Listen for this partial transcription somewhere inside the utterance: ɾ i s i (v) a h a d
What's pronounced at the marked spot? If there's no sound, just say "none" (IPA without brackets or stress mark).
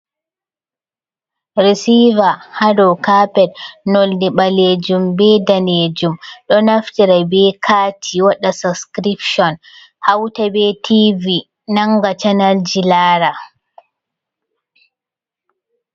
v